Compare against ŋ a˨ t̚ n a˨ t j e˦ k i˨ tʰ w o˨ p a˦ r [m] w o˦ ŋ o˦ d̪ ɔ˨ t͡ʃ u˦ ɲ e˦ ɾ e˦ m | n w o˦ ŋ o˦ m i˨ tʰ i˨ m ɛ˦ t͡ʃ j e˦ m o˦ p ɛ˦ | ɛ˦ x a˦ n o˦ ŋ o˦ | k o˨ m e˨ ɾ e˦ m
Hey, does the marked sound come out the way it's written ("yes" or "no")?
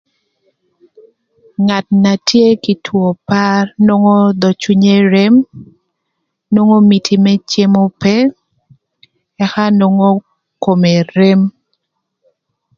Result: no